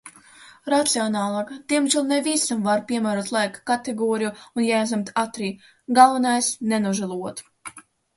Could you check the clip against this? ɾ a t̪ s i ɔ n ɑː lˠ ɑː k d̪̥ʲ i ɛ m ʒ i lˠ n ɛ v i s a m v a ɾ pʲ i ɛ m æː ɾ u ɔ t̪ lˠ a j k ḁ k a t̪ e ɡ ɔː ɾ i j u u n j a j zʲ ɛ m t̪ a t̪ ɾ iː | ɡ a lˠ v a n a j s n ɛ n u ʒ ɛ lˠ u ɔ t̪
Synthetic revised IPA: ɾ a t̪ s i ɔ n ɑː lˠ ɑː k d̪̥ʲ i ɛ m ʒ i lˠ n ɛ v i s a m v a ɾ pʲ i ɛ m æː ɾ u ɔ t̪ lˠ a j k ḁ k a t̪ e ɡ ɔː ɾ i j u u n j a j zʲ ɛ m t̪ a t̪ ɾ iː | ɡ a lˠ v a n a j s n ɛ n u ʒ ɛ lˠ u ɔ t̪